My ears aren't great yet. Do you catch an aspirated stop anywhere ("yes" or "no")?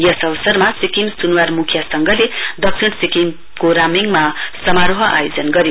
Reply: yes